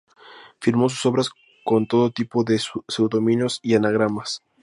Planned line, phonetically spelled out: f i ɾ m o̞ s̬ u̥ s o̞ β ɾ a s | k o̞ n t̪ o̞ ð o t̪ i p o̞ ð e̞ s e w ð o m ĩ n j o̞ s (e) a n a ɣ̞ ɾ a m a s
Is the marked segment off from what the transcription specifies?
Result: yes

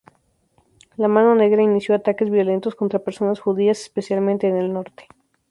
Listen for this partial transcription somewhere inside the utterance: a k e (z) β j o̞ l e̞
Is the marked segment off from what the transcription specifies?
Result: no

